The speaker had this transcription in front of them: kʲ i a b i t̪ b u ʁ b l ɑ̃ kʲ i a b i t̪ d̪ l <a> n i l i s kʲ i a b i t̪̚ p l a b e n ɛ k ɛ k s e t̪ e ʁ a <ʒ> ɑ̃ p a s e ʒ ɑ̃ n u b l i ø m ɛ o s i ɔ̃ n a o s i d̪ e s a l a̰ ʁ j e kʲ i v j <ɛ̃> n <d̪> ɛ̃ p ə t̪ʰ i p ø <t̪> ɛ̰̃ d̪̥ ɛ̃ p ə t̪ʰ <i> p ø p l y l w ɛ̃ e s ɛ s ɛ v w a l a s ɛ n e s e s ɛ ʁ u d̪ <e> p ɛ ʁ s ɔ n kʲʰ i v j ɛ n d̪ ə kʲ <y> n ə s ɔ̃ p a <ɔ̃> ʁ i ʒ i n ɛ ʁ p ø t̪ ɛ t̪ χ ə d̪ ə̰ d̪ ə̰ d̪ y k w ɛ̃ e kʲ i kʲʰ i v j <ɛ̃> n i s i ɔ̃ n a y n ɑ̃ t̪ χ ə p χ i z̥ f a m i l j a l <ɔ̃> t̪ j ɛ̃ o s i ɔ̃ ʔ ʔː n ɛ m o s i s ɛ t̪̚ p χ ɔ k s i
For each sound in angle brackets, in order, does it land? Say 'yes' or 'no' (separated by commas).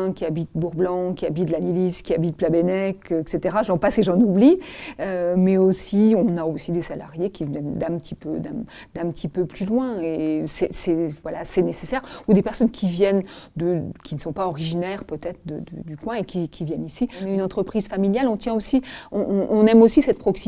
yes, yes, no, yes, no, yes, yes, no, no, no, yes